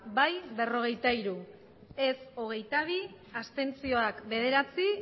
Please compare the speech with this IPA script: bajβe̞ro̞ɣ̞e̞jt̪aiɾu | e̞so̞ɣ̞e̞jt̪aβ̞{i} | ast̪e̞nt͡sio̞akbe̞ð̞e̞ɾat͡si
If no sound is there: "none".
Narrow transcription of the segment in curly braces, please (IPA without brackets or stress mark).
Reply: i